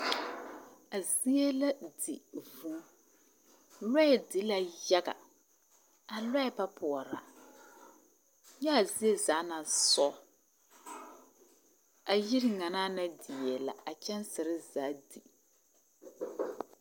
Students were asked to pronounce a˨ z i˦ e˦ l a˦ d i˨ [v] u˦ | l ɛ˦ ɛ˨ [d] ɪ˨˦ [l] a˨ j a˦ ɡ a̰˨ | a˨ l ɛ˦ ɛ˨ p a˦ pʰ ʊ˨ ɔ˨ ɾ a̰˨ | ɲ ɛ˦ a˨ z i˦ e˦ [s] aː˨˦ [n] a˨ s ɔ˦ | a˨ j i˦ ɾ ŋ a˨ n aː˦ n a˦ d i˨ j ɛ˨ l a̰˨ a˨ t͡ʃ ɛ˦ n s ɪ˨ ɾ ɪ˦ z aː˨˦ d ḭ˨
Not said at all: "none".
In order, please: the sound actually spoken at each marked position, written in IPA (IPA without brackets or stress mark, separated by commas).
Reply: v, d, l, z, n